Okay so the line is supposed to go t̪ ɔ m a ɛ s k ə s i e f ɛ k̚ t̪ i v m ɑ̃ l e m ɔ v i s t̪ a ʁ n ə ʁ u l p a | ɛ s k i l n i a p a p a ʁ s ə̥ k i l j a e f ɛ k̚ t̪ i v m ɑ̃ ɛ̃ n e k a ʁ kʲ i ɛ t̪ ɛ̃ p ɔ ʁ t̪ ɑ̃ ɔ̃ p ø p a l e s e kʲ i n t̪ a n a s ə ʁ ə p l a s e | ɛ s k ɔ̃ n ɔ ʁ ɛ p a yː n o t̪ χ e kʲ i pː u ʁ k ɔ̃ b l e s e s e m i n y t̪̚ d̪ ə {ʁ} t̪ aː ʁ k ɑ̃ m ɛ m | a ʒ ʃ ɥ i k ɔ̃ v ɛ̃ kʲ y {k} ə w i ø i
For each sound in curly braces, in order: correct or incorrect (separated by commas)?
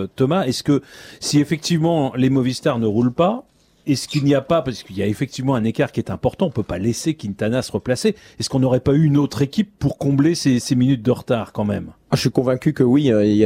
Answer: correct, correct